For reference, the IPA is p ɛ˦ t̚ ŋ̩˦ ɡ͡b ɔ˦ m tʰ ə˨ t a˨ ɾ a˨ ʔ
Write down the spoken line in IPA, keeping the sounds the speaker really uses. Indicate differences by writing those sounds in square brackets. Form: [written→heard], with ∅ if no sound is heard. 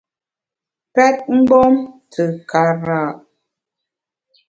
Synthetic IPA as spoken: p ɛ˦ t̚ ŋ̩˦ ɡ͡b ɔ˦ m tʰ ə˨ [t→k] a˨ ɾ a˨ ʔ